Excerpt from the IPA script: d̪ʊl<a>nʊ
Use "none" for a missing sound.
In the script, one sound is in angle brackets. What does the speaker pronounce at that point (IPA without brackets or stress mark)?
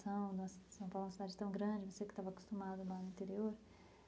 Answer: a